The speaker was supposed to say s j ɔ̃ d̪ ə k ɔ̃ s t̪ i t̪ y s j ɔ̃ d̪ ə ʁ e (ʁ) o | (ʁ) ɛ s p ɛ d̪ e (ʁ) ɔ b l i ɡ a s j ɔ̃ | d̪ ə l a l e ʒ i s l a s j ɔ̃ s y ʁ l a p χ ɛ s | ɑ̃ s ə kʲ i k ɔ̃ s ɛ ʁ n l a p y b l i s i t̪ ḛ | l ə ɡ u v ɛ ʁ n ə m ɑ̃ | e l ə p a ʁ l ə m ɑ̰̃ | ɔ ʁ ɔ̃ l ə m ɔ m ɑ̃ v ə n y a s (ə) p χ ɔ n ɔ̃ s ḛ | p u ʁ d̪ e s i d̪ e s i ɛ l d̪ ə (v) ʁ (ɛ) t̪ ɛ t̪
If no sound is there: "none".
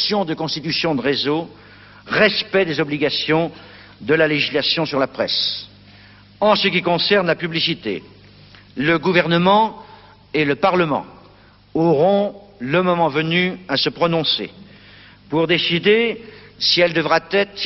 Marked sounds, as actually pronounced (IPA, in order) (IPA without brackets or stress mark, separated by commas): z, ʁ, z, ə, v, a